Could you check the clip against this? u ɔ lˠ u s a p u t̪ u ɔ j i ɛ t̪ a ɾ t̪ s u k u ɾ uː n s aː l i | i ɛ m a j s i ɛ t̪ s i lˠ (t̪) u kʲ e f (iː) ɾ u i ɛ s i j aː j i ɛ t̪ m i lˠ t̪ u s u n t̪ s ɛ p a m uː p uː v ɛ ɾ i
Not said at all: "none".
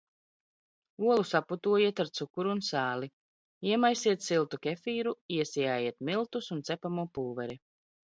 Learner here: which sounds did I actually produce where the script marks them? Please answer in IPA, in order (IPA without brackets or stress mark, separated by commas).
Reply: t̪, iː